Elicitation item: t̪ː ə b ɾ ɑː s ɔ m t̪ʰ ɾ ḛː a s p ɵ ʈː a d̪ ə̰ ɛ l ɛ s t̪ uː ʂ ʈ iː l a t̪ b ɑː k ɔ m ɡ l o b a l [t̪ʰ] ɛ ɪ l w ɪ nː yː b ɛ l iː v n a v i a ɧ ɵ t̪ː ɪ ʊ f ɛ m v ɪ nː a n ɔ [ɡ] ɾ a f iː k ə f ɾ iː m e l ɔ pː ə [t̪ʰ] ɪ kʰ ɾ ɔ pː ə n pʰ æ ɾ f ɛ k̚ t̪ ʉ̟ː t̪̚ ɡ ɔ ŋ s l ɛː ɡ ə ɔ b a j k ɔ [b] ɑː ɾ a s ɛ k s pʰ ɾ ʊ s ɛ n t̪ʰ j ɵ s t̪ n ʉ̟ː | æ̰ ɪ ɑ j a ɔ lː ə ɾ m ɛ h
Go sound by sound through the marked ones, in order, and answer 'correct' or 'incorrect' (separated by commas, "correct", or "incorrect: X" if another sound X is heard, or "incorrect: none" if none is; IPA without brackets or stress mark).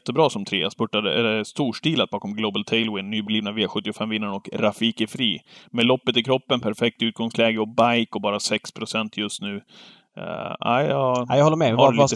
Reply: correct, incorrect: k, incorrect: t̪, correct